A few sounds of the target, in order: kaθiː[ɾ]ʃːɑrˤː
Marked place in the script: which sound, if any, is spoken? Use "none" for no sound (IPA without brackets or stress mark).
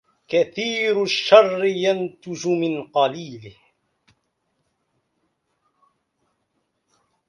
ɾ